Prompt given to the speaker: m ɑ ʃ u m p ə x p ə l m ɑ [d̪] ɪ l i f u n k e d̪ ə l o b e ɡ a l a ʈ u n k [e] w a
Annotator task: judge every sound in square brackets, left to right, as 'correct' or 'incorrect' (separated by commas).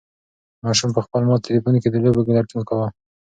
incorrect, incorrect